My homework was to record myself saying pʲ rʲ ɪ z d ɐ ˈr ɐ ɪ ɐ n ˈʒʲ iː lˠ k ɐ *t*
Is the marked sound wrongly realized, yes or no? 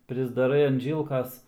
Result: yes